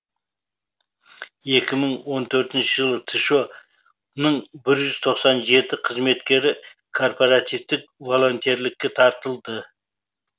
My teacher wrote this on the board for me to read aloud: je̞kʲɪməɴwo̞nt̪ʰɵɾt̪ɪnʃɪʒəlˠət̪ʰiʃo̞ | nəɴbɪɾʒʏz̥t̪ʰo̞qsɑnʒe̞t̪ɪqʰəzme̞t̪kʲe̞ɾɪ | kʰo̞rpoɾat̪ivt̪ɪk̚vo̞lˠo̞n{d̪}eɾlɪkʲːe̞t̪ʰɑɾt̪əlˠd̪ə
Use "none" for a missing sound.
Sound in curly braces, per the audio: t̪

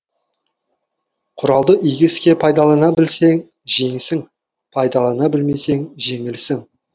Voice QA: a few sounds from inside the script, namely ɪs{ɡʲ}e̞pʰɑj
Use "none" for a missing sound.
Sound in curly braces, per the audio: kʲ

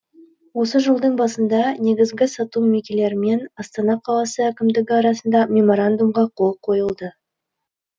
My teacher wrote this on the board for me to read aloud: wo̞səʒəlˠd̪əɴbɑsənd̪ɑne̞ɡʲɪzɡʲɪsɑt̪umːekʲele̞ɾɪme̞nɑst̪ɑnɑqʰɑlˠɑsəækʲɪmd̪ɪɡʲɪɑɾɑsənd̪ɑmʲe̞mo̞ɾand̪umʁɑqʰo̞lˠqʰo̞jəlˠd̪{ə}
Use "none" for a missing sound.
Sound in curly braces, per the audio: ə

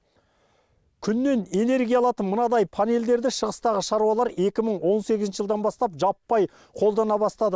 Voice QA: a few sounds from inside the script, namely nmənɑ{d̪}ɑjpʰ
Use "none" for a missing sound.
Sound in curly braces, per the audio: d̪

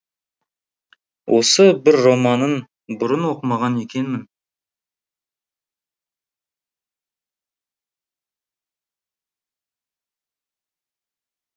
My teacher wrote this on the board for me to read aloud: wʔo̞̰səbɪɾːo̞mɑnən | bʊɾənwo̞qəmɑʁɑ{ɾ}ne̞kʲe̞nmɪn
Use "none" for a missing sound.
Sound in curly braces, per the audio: none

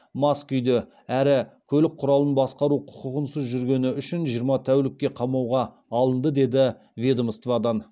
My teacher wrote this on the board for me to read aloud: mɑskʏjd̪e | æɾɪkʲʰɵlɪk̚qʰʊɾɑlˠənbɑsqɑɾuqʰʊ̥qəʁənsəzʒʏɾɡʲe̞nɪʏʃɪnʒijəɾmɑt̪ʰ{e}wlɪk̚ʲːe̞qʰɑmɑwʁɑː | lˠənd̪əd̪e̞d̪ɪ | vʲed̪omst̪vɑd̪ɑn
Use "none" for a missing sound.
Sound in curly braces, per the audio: æ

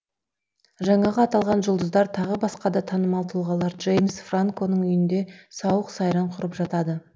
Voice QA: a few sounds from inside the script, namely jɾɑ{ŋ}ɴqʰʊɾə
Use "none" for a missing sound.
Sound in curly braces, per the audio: none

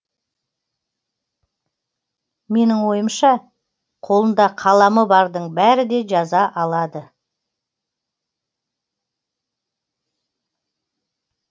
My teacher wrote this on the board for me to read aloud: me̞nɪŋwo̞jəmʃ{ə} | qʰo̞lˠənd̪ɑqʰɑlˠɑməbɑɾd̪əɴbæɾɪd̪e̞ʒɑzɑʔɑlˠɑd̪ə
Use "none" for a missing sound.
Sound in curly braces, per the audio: ɑ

